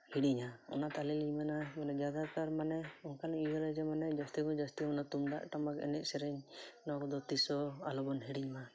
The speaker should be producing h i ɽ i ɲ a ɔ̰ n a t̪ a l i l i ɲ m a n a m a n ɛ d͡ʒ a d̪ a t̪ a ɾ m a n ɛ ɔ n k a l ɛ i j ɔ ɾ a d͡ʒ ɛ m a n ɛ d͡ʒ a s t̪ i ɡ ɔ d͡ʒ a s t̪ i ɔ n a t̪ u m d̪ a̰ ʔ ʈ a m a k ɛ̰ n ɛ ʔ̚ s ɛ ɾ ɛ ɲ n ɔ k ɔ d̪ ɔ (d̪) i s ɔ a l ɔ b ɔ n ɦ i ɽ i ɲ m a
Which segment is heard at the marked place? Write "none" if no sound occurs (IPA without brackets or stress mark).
t̪